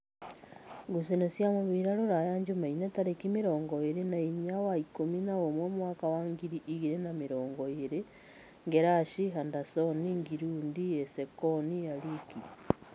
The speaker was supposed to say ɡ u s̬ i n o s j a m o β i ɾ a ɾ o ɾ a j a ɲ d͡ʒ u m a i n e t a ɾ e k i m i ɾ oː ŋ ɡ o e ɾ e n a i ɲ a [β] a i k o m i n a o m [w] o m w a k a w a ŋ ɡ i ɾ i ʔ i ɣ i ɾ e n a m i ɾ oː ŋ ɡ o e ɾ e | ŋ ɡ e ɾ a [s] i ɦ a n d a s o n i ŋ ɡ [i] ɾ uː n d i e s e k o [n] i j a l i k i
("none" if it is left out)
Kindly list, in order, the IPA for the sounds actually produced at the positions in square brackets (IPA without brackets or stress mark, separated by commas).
w, w, ʃ, i, n